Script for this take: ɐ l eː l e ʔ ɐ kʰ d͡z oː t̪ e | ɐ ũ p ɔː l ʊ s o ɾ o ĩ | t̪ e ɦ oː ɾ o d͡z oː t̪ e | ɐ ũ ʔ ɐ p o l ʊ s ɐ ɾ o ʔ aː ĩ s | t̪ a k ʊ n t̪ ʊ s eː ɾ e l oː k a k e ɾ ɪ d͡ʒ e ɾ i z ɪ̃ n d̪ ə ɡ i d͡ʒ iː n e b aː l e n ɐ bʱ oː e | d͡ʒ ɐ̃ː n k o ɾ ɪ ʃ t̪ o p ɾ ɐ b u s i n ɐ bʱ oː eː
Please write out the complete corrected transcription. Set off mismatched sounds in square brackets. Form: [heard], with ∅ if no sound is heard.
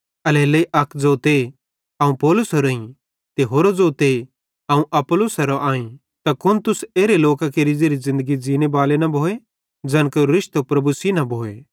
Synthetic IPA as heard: ɐ l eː l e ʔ ɐ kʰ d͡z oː t̪ e | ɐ ũ p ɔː l ʊ s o ɾ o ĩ | t̪ e ɦ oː ɾ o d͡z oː t̪ e | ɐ ũ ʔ ɐ p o l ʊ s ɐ ɾ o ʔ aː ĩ [∅] | t̪ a k ʊ n t̪ ʊ s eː ɾ e l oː k a k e ɾ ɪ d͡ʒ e ɾ i z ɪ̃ n d̪ ə ɡ i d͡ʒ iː n e b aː l e n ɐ bʱ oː e | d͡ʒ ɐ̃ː n k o ɾ ɪ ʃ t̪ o p ɾ ɐ b u s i n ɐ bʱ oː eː